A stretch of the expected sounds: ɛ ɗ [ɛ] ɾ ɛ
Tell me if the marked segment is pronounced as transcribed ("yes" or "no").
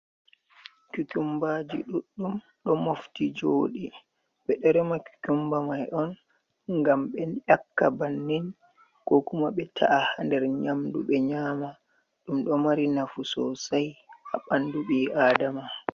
yes